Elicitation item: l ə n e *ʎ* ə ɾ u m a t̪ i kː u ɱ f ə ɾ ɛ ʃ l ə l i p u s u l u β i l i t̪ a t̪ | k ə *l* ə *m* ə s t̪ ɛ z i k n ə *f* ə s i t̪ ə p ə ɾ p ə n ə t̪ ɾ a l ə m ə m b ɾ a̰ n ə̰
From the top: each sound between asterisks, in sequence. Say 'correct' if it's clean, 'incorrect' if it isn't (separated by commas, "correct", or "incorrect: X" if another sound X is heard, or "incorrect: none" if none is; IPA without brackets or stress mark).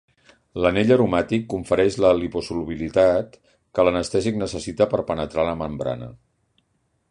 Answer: correct, correct, incorrect: n, incorrect: s